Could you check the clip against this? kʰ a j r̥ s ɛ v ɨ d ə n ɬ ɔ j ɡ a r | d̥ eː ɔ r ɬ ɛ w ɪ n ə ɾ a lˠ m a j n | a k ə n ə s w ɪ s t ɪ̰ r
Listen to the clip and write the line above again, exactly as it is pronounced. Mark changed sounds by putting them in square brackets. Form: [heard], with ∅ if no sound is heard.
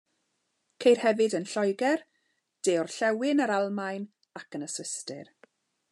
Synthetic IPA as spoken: kʰ [e] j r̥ [h] ɛ v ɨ d ə n ɬ ɔ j ɡ [ɛ] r | d̥ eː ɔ r ɬ ɛ w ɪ n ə ɾ a lˠ m a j n | a k ə n ə s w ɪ s t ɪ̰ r